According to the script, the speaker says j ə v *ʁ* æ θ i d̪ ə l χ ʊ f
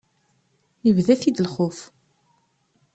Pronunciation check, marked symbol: incorrect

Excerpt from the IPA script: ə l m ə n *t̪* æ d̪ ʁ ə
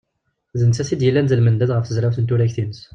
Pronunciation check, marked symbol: incorrect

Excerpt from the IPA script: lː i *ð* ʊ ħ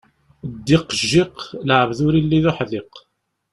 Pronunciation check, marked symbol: correct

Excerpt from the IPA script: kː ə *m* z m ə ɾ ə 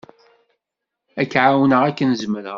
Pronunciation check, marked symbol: incorrect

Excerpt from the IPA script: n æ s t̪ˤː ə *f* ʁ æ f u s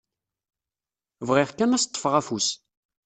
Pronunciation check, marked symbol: correct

